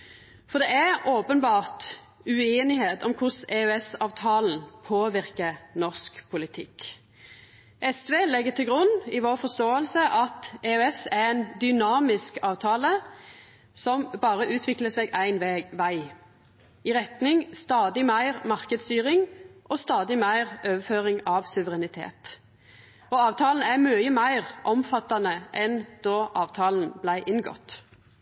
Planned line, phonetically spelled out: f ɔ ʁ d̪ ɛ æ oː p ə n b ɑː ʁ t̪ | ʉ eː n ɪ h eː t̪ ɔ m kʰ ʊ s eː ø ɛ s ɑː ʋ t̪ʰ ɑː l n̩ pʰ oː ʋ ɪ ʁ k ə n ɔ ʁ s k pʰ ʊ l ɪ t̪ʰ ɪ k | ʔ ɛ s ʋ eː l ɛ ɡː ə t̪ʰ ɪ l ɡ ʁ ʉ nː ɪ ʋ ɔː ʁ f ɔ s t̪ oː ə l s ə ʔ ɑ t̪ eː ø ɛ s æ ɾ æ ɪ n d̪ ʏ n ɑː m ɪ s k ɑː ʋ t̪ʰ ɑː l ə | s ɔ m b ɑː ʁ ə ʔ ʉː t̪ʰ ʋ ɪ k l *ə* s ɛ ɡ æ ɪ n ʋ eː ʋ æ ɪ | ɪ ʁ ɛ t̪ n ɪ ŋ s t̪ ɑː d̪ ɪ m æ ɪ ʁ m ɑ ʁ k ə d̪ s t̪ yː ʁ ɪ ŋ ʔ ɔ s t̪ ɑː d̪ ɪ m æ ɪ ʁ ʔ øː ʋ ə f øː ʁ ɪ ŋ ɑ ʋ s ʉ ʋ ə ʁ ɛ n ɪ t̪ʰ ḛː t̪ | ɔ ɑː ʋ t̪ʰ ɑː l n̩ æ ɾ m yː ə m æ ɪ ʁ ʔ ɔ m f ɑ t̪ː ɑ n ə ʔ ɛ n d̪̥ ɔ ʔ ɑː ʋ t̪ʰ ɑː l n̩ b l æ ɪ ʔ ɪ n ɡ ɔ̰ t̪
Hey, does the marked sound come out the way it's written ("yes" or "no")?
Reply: yes